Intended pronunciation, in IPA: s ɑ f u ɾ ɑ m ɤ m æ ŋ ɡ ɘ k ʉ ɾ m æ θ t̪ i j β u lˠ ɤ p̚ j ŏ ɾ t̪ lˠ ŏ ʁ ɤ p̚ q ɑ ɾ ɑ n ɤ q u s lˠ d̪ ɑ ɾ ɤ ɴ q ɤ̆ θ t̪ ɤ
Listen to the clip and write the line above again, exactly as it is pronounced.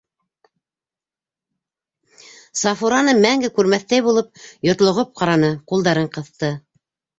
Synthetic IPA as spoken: s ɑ f u ɾ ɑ n ɤ m æ ŋ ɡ ɘ k ʉ ɾ m æ θ t̪ æ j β u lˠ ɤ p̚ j ŏ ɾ t̪ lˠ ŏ ʁ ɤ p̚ q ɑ ɾ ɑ n ɤ q u lˠ d̪ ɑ ɾ ɤ ɴ q ɤ̆ θ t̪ ɤ